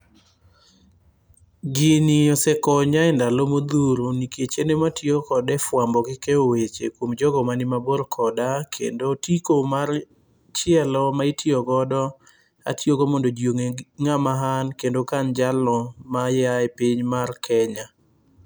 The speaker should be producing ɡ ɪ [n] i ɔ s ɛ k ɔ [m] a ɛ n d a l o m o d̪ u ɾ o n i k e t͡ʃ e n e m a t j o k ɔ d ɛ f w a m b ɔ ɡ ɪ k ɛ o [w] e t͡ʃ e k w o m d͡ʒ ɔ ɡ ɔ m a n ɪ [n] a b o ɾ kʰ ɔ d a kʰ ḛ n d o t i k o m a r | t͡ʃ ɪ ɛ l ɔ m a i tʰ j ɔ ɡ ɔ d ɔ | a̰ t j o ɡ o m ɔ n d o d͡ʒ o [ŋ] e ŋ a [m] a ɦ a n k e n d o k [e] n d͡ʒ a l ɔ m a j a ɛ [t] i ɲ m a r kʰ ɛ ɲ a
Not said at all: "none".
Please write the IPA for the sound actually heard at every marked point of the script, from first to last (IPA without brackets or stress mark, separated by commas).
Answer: n, ɲ, w, m, ŋ, m, a, p